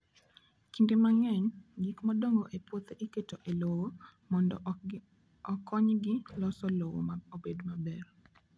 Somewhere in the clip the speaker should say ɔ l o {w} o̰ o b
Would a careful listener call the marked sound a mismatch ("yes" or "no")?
no